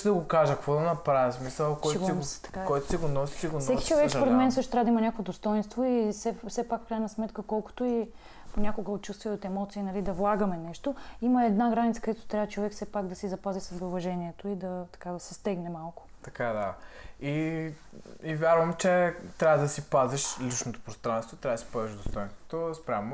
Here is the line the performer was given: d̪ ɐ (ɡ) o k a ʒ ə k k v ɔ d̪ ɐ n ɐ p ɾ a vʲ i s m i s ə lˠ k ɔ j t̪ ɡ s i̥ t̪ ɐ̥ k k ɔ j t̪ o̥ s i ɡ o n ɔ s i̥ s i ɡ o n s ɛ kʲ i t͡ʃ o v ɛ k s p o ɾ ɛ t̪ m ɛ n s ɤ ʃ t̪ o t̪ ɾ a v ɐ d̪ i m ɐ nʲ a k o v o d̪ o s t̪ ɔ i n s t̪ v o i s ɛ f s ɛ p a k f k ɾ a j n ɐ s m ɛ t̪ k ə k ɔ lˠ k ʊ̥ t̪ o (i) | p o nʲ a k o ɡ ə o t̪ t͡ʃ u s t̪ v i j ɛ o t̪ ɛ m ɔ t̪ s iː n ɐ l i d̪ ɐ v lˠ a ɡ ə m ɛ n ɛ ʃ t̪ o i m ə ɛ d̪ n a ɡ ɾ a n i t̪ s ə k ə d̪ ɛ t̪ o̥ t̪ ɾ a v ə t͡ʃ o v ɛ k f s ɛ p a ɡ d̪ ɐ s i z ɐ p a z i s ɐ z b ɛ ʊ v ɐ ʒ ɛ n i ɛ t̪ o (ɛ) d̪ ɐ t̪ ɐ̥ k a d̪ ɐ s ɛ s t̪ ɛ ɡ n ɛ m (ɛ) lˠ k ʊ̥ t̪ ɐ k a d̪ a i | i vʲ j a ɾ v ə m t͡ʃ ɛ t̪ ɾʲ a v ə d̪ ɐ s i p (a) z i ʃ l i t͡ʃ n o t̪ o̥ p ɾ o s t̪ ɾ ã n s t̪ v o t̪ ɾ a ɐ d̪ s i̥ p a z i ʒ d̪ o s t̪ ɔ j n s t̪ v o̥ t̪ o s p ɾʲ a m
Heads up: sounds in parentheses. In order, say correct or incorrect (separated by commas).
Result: correct, correct, incorrect, incorrect, correct